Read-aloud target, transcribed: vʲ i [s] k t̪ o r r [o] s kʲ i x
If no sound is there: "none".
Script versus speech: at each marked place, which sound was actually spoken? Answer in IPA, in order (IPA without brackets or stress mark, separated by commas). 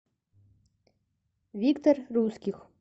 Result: none, u